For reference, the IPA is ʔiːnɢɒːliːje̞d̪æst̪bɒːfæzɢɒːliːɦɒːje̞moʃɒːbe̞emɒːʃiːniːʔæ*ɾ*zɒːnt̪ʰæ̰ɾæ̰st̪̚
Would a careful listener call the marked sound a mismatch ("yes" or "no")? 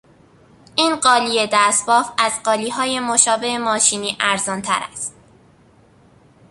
no